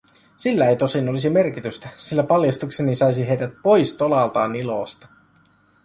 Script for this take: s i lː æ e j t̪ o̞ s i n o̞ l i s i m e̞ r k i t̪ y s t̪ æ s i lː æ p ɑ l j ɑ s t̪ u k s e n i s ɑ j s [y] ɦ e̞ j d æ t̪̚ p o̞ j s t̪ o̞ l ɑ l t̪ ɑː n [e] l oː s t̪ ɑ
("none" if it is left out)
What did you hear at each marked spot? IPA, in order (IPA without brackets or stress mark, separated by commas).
i, i